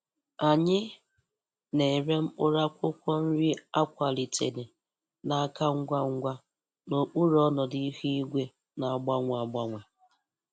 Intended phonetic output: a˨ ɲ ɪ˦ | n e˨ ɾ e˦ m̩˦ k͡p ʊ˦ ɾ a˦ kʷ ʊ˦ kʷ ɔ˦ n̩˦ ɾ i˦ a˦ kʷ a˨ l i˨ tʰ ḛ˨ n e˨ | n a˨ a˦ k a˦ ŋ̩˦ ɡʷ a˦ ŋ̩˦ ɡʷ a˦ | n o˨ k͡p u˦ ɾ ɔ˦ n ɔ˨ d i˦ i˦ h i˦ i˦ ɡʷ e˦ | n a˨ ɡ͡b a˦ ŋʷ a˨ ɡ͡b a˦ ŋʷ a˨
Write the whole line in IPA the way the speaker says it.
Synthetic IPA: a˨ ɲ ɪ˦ | n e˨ ɾ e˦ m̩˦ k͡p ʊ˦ ɾ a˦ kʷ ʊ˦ kʷ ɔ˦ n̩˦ ɾ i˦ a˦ kʷ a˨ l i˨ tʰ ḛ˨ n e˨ | n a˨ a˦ k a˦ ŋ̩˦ ɡʷ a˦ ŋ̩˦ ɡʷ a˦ | n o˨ k͡p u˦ ɾ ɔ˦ n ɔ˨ d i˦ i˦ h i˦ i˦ ɡʷ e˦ | n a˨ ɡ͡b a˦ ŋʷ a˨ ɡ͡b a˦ ŋʷ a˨

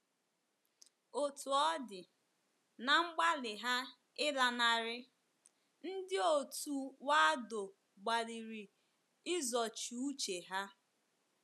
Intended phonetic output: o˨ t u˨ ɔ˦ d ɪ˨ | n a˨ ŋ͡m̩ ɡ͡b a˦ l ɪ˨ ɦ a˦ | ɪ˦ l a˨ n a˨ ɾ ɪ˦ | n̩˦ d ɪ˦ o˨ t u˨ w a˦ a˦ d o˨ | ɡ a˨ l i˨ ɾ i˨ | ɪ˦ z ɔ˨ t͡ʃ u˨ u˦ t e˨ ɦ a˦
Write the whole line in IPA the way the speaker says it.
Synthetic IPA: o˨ t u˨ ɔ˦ d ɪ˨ | n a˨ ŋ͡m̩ ɡ͡b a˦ l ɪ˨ ɦ a˦ | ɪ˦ l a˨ n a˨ ɾ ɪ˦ | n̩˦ d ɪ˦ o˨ t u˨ w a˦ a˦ d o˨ | ɡ͡b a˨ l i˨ ɾ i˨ | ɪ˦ z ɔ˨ t͡ʃ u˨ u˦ t͡ʃ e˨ ɦ a˦

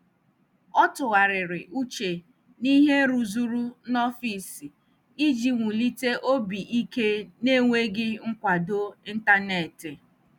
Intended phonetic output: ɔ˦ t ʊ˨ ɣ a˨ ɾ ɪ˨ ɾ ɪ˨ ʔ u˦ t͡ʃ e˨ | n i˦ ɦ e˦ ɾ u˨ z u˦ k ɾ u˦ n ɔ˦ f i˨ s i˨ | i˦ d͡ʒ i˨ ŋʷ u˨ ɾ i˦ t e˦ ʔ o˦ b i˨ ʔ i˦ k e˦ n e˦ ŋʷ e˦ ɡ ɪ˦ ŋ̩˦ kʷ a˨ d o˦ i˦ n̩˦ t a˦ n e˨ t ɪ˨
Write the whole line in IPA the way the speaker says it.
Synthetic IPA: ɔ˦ t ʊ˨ ɣ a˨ ɾ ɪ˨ ɾ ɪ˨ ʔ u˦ t͡ʃ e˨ | n i˦ ɦ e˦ ɾ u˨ z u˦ ɾ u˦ n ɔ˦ f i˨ s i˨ | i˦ d͡ʒ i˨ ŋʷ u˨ l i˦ t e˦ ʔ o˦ b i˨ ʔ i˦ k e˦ n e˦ ŋʷ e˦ ɡ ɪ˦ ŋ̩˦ kʷ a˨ d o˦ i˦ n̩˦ t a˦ n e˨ t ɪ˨

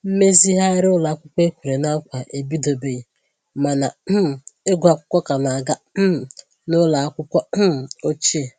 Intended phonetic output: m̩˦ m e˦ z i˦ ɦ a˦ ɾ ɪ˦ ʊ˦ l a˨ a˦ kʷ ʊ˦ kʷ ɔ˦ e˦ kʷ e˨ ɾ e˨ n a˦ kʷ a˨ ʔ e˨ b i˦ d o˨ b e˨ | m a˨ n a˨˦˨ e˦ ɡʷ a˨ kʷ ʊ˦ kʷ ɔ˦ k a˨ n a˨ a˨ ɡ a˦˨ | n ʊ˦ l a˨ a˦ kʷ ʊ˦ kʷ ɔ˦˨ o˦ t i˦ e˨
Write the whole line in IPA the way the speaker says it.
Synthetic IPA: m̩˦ m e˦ z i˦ ɦ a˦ ɾ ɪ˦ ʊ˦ l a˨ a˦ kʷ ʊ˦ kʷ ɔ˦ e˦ kʷ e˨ ɾ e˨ n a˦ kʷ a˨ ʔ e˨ b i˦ d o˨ b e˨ | m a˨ n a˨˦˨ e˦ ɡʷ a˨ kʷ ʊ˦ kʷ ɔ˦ k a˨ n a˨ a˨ ɡ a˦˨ | n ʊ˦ l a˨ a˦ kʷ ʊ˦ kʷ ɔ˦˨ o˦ t͡ʃ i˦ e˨

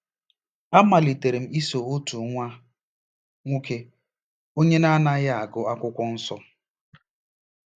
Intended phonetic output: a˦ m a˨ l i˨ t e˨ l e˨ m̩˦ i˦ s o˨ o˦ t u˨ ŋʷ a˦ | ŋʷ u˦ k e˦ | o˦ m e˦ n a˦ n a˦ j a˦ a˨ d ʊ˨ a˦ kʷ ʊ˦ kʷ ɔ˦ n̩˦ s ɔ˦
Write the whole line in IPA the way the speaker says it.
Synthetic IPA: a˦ m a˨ l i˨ t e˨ ɾ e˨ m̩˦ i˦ s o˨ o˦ t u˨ ŋʷ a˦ | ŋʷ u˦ k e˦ | o˦ ɲ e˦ n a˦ n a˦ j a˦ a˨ ɡ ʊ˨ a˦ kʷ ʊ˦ kʷ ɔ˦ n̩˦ s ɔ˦

